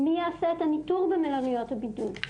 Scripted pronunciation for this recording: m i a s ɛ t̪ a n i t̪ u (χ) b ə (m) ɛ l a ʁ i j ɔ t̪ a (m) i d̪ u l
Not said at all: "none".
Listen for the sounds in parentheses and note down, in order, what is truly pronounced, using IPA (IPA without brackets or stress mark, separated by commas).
ʁ, m, b